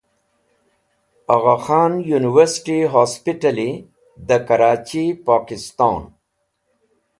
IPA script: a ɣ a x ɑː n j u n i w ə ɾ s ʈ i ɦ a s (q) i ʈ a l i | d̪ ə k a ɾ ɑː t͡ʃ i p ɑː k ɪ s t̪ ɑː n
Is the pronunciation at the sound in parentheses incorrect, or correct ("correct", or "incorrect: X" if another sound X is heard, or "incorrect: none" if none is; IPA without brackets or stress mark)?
incorrect: p